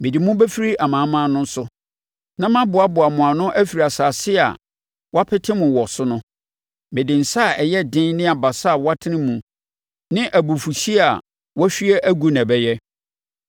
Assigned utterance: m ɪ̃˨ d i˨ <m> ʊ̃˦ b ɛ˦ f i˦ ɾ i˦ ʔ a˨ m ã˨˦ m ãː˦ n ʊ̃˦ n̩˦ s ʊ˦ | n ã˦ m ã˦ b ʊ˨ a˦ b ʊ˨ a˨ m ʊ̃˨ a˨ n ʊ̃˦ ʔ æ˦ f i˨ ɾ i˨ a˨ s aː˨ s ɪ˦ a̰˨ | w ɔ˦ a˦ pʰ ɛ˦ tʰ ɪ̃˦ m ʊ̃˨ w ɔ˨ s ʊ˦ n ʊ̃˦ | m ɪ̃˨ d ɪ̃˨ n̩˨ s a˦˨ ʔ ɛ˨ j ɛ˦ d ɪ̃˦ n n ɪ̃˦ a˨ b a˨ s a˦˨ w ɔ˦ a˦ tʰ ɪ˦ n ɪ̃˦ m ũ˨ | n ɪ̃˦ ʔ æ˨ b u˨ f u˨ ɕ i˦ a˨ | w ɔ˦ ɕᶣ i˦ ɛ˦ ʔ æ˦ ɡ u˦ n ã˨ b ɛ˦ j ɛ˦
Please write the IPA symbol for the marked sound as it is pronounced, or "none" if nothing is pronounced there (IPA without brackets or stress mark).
m